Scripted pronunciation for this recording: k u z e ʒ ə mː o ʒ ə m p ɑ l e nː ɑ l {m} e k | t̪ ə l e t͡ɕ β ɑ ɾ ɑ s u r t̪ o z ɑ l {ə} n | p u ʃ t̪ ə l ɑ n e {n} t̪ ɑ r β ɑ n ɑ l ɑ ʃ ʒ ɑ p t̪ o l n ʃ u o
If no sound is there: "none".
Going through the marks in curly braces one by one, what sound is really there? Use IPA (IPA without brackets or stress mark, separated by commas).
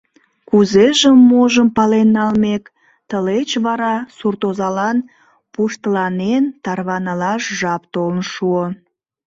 m, ɑ, n